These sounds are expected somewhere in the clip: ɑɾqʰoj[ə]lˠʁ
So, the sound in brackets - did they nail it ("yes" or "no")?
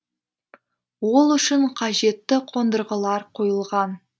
yes